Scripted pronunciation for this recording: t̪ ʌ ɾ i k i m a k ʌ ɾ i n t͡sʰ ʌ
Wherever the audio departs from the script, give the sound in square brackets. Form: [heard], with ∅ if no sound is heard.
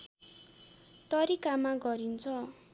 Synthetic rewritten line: t̪ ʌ ɾ i k [a] m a [ɡ] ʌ ɾ i n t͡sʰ ʌ